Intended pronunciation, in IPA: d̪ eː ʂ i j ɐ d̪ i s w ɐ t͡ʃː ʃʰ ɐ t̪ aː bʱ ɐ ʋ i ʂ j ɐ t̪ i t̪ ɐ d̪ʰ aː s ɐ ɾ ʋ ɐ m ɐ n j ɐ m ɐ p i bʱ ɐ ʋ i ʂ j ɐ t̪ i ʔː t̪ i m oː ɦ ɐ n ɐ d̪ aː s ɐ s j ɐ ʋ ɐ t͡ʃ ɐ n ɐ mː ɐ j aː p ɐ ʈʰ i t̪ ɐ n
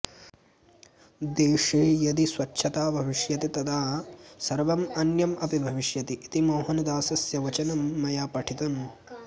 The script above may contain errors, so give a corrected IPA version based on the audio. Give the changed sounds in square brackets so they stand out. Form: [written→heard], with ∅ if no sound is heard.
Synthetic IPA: d̪ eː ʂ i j ɐ d̪ i s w ɐ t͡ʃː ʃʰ ɐ t̪ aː bʱ ɐ ʋ i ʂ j ɐ t̪ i t̪ ɐ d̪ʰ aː s ɐ ɾ ʋ ɐ m ɐ n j ɐ m ɐ p i bʱ ɐ ʋ i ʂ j ɐ t̪ i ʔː t̪ i m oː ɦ ɐ n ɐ d̪ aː s ɐ s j ɐ ʋ ɐ t͡ʃ ɐ n ɐ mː ɐ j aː p ɐ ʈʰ i t̪ ɐ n